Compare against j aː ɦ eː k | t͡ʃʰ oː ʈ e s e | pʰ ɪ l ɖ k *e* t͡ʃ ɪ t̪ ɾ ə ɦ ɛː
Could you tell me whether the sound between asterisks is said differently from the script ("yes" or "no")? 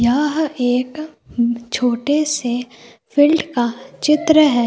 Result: yes